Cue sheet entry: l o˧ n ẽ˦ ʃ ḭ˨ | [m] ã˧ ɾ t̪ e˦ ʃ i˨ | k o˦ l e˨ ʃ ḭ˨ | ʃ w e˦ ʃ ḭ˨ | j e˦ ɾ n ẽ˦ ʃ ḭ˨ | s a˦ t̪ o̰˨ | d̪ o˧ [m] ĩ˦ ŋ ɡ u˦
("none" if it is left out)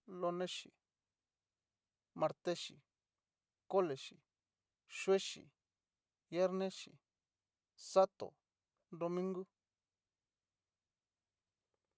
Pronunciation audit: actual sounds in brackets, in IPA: m, m

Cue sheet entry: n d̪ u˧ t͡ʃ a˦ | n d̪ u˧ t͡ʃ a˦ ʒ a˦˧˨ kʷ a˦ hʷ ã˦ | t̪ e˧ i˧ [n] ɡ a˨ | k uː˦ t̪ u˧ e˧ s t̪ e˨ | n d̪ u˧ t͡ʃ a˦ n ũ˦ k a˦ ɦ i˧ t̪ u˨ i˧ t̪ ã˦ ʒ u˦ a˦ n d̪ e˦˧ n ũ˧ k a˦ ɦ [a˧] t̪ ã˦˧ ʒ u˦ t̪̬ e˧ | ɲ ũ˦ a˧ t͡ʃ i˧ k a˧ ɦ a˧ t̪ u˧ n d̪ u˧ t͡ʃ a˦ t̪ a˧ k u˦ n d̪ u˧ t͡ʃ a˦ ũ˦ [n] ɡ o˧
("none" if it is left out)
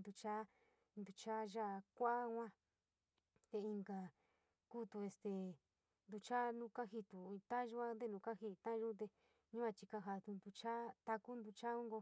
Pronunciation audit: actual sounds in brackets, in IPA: ŋ, i˧, ŋ

